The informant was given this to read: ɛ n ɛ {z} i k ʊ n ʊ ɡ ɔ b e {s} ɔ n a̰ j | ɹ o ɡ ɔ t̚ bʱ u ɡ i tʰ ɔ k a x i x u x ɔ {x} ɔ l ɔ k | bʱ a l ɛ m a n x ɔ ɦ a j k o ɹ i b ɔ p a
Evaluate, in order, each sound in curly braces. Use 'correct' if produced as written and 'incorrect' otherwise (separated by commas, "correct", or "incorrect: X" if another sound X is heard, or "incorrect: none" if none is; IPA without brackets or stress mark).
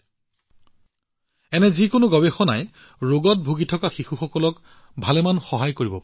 correct, incorrect: x, incorrect: k